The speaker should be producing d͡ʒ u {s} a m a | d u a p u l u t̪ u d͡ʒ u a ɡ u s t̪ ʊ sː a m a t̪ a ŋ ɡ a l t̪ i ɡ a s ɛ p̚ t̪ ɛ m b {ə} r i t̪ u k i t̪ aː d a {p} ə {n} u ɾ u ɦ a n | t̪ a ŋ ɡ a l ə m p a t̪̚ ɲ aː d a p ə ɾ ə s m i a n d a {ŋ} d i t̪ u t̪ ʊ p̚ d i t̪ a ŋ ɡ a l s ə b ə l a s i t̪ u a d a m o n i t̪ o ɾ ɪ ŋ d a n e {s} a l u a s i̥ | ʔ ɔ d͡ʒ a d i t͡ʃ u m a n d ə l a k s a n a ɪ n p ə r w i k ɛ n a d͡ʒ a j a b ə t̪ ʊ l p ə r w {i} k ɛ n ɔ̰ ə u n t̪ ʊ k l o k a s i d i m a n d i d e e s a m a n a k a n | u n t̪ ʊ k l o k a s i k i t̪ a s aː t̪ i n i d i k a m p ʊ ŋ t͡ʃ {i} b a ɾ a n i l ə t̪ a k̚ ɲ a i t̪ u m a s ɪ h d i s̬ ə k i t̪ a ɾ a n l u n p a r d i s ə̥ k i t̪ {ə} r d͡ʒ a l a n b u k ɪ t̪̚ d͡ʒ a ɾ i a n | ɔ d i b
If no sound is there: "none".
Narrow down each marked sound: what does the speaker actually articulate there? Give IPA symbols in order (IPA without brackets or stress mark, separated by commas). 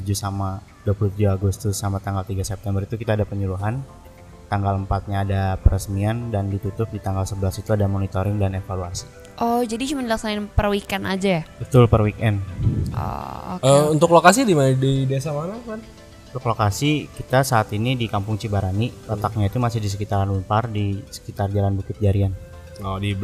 s, ə, p, ɲ, n, f, i, i, a